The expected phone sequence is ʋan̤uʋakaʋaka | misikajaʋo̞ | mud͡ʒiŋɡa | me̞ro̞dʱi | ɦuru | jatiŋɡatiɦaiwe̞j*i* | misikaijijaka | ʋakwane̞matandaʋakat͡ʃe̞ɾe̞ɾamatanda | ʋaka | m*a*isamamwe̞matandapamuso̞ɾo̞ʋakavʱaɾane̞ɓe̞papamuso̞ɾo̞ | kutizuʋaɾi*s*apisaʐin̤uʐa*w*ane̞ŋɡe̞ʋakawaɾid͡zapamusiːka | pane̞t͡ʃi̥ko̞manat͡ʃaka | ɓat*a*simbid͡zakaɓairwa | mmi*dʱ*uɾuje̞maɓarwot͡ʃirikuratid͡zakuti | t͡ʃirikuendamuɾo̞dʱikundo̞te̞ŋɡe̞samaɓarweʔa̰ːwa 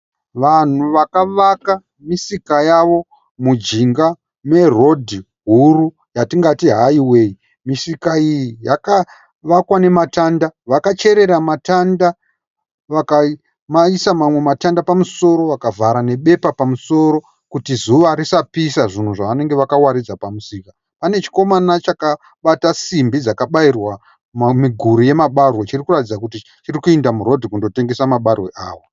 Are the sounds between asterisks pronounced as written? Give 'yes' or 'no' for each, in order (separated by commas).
yes, yes, yes, no, yes, no